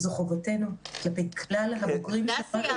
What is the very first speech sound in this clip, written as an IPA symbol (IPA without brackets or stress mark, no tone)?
z